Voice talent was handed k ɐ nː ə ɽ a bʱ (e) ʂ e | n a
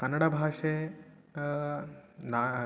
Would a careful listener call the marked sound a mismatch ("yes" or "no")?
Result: yes